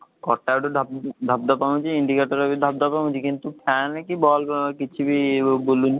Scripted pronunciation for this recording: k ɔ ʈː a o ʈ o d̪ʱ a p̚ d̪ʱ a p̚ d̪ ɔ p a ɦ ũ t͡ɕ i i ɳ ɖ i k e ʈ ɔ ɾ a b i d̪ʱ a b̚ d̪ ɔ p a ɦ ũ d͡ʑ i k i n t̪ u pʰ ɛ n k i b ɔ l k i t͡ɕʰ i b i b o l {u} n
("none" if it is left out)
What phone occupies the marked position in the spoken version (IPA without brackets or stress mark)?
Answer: u